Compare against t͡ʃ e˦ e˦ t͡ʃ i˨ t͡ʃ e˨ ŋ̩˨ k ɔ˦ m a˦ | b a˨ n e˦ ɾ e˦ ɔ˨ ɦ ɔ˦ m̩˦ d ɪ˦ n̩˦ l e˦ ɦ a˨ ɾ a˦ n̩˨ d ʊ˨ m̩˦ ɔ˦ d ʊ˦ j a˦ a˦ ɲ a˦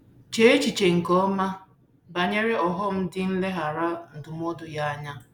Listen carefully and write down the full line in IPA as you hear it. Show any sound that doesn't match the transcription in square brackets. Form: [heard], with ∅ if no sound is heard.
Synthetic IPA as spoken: t͡ʃ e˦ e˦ t͡ʃ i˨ t͡ʃ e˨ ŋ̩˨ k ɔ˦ m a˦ | b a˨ [ɲ] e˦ ɾ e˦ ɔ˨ ɦ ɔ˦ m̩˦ d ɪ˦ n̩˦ l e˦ ɦ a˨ ɾ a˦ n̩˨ d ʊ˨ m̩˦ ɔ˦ d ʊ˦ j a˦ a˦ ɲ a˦